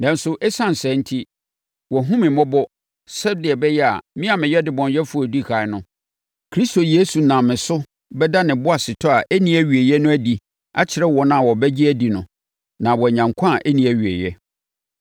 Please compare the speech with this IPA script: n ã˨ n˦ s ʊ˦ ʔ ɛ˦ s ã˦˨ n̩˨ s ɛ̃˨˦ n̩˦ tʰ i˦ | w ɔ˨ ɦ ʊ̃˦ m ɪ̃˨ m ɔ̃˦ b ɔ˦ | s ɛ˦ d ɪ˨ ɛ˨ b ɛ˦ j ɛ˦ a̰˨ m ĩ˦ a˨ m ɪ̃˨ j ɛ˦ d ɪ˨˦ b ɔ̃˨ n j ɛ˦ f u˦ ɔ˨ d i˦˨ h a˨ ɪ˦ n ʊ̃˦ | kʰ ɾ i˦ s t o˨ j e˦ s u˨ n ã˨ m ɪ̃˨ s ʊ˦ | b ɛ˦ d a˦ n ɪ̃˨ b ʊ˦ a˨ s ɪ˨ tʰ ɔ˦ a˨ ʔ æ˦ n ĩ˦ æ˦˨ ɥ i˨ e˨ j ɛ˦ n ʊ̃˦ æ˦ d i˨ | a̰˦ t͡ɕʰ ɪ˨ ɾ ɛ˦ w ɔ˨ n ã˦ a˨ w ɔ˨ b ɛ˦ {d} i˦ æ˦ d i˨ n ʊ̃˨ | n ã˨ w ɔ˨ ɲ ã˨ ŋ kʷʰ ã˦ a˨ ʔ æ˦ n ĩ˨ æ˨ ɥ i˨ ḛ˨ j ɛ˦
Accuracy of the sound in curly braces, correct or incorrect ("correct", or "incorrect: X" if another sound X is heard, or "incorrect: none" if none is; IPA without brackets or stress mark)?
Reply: incorrect: d͡ʑ